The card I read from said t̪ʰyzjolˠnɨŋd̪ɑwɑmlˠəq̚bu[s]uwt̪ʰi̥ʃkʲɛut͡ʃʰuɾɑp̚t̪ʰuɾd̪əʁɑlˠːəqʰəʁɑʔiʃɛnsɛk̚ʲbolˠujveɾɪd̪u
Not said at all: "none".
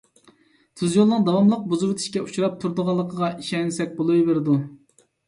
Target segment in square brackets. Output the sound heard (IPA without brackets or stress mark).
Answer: z